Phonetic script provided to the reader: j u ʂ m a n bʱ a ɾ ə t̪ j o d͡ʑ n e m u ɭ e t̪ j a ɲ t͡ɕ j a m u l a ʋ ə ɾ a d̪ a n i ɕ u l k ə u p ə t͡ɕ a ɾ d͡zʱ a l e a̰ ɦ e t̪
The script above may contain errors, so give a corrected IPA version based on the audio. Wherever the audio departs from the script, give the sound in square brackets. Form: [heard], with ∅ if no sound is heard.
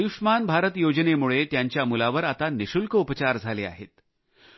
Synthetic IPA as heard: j u ʂ m a n bʱ a ɾ ə t̪ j o d͡ʑ n e m u ɭ e t̪ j a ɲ t͡ɕ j a m u l a ʋ ə ɾ a [t̪] a n i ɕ u l k ə u p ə t͡ɕ a ɾ d͡zʱ a l e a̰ ɦ e t̪